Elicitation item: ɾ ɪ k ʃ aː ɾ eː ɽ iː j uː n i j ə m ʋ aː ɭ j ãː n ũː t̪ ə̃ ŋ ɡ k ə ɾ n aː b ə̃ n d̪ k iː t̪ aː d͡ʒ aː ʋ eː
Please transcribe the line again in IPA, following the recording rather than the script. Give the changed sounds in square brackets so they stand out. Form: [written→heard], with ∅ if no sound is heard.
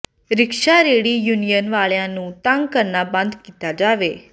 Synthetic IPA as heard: ɾ ɪ k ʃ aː ɾ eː ɽ iː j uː n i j ə [m→n] ʋ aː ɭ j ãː n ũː t̪ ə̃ ŋ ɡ k ə ɾ n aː b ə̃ n d̪ k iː t̪ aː d͡ʒ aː ʋ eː